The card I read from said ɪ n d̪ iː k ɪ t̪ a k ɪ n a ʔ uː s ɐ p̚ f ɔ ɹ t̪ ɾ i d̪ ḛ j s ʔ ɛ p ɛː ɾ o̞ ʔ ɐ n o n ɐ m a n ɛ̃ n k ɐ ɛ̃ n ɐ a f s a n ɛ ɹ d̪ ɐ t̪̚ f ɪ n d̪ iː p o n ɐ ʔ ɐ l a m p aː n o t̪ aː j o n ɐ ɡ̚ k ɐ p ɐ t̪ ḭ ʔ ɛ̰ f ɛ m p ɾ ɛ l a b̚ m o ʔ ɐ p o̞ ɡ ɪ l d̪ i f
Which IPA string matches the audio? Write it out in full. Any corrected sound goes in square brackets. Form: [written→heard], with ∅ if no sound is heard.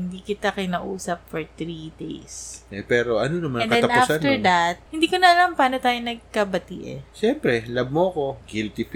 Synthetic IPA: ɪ n d̪ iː k ɪ t̪ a k ɪ n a ʔ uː s ɐ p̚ f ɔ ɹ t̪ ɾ i d̪ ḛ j s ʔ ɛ p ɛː ɾ o̞ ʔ ɐ n o n ɐ m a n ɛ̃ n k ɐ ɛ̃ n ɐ a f s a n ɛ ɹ d̪ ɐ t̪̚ [f→h] ɪ n d̪ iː [p→k] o n ɐ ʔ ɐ l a m p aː n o t̪ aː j o n ɐ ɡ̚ k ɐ [p→b] ɐ t̪ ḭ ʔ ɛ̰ [f→ʃ] ɛ m p ɾ ɛ l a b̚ m o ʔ ɐ [p→k] o̞ ɡ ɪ l [d̪→t̪] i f